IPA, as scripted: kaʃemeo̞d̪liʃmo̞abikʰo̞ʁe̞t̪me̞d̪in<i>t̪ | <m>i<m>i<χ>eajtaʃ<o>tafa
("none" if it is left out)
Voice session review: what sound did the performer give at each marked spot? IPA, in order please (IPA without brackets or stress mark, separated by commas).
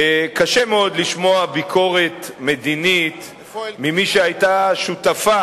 i, m, m, ʃ, u